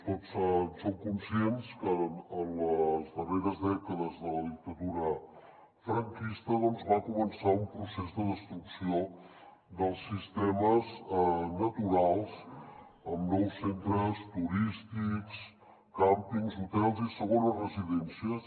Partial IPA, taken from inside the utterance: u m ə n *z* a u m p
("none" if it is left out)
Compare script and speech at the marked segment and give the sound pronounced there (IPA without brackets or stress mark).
s